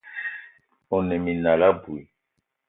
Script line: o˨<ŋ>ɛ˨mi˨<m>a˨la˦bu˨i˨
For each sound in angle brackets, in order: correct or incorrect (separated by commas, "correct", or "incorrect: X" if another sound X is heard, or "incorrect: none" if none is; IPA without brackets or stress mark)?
incorrect: n, incorrect: n